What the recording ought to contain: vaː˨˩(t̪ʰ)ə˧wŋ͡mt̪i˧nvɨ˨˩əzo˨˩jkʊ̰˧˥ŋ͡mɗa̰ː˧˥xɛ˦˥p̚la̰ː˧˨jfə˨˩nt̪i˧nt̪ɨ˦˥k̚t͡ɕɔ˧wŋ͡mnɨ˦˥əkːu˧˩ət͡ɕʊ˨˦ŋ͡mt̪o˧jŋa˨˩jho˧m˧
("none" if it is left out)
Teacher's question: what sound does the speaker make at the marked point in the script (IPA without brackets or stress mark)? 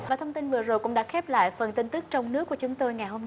t̪ʰ